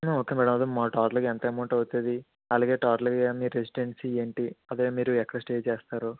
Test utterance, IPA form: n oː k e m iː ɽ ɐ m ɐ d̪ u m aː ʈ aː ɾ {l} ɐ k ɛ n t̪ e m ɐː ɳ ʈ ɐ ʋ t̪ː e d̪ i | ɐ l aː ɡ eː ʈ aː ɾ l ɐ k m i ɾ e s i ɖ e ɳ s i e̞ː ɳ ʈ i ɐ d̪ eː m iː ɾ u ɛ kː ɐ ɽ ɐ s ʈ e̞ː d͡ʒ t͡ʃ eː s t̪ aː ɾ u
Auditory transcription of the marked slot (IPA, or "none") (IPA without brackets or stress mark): l